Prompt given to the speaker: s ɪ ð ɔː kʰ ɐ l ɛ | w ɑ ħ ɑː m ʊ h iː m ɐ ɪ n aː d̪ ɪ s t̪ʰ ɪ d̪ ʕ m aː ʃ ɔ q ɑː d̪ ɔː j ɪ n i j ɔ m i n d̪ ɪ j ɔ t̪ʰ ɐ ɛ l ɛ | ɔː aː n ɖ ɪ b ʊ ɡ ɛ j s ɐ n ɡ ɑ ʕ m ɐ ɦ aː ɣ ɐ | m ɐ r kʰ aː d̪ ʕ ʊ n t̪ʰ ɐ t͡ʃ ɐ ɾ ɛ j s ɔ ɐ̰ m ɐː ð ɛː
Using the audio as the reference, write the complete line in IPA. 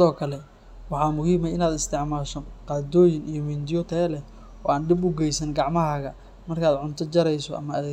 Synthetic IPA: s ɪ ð ɔː kʰ ɐ l ɛ | w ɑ ħ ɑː m ʊ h iː m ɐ ɪ n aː d̪ ɪ s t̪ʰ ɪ ʕ m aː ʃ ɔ q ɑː d̪ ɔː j ɪ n i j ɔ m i n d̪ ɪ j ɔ t̪ʰ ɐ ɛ l ɛ | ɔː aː n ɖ ɪ b ʊ ɡ ɛ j s ɐ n ɡ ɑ ʕ m ɐ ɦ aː ɣ ɐ | m ɐ r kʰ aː d̪ ʕ ʊ n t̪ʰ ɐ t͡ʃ ɐ ɾ ɛ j s ɔ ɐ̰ m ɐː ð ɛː

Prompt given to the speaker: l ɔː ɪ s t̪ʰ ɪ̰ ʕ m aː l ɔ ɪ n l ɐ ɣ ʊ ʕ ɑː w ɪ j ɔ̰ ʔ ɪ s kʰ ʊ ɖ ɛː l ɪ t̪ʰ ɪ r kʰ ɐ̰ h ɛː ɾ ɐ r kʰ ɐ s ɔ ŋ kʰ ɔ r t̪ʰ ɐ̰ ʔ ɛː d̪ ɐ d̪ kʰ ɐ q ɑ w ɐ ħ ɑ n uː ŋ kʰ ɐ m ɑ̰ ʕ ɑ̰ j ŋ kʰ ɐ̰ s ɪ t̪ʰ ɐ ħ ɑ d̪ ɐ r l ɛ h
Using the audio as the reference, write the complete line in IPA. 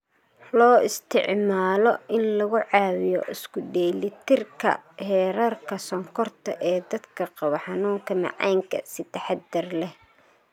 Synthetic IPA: l ɔː ɪ s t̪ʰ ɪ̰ ʕ m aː l ɔ ɪ n l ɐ ɣ ʊ ʕ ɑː w ɪ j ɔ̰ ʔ ɪ s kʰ ʊ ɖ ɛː l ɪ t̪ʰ ɪ r kʰ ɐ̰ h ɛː ɾ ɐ r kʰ ɐ s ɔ ŋ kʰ ɔ r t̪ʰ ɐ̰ ʔ ɛː d̪ ɐ d̪ kʰ ɐ q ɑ β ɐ ħ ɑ n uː ŋ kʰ ɐ m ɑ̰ ʕ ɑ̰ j ŋ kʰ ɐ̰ s ɪ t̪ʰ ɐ ħ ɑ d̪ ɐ r l ɛ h

